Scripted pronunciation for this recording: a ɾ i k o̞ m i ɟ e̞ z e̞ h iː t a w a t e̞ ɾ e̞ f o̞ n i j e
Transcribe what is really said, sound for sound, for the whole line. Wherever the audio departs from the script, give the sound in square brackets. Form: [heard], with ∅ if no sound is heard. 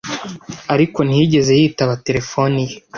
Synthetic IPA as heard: a ɾ i k o̞ [n] i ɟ e̞ z e̞ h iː t a [β] a t e̞ ɾ e̞ f o̞ n i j e